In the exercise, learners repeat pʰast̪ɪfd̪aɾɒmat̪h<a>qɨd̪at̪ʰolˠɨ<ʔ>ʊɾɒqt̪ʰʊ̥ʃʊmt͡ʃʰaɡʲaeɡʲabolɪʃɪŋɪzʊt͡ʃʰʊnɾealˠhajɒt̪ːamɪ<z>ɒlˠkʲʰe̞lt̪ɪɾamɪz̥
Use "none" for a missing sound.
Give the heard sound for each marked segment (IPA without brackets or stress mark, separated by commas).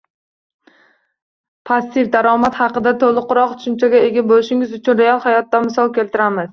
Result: ɑ, q, s